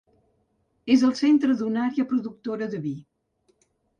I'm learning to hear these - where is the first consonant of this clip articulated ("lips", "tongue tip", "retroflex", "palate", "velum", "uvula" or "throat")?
tongue tip